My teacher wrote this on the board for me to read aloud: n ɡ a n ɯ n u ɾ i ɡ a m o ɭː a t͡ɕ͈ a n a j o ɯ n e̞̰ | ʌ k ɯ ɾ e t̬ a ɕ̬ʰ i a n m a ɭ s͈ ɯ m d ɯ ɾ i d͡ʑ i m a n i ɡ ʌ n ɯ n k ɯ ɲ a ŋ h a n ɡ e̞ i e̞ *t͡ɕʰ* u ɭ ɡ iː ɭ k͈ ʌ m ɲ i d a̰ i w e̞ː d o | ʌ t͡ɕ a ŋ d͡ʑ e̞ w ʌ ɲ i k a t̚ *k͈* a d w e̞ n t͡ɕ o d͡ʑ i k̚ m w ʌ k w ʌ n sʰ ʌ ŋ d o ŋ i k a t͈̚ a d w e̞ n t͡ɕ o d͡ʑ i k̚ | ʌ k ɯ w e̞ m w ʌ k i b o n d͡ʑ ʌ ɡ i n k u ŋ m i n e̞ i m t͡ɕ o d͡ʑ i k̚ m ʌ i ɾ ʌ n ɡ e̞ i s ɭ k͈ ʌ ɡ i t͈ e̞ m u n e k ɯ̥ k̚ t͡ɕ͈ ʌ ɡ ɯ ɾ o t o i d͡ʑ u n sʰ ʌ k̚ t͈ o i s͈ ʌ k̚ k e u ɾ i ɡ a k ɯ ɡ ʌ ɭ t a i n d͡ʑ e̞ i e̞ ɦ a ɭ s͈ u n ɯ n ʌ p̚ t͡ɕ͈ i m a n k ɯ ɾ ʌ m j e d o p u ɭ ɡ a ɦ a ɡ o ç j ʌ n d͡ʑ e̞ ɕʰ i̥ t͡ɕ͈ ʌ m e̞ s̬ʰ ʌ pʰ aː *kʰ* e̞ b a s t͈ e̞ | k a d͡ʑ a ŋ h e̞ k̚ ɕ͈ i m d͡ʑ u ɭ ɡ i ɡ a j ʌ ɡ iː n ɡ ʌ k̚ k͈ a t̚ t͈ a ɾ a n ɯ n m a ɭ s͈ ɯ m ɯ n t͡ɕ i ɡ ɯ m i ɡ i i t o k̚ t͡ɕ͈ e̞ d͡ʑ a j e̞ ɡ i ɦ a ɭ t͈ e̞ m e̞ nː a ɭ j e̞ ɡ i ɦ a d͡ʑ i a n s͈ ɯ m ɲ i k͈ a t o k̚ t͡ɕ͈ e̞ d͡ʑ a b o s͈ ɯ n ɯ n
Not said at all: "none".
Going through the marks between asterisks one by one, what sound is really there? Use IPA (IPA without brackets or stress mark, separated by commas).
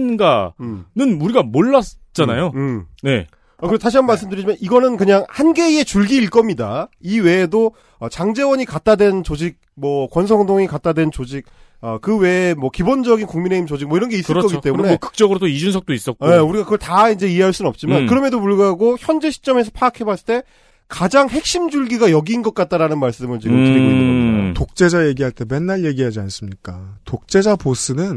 t͡ɕ, t͈, kʰ